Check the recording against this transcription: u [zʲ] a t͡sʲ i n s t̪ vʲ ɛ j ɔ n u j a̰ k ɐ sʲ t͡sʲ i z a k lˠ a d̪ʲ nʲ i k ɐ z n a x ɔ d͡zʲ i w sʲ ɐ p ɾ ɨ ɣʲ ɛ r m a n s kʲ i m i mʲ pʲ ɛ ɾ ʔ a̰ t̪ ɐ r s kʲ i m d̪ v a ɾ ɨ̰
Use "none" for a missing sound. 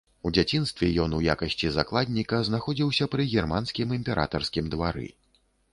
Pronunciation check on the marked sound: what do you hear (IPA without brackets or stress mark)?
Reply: d͡zʲ